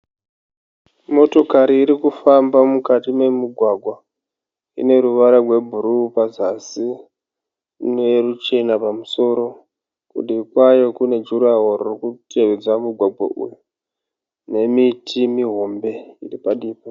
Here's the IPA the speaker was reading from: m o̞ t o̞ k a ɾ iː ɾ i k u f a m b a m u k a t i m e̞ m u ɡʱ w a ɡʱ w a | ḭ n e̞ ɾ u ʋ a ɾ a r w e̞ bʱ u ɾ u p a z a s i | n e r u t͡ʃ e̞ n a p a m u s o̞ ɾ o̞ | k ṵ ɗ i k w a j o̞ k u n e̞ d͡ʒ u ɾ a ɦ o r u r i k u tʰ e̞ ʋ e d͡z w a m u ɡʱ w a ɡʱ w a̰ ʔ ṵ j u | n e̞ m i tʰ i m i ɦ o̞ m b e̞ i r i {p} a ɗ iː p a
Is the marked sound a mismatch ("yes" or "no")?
no